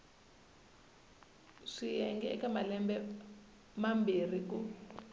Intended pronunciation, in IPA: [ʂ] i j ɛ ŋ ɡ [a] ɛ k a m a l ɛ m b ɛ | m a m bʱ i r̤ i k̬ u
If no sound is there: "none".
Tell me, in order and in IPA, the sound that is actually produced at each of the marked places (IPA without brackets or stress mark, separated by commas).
ʂ, ɛ